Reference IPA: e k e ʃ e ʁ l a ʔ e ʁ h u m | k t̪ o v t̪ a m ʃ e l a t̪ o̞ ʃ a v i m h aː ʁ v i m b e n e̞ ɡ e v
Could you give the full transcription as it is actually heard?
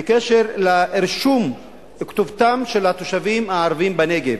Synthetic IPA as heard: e k e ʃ e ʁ l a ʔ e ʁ ʃ u m | k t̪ o v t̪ a m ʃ e l a t̪ o̞ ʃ a v i m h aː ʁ v i m b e n e̞ ɡ e v